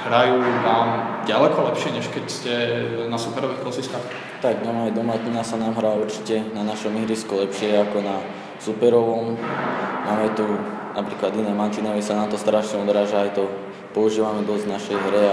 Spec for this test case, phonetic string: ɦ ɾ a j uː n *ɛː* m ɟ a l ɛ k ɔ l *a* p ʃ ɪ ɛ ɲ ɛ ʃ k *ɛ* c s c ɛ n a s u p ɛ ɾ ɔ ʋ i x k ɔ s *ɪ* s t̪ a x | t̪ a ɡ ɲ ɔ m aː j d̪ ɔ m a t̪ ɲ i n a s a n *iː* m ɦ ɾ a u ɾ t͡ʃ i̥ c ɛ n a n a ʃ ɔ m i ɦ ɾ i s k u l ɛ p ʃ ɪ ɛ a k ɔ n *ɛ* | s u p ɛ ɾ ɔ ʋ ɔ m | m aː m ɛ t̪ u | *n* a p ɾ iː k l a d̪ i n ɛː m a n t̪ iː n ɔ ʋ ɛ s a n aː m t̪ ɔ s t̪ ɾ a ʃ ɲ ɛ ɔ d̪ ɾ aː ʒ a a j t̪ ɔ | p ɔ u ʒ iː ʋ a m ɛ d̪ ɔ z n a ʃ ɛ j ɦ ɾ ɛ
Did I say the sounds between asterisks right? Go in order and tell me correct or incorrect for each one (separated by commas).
incorrect, incorrect, correct, incorrect, incorrect, incorrect, correct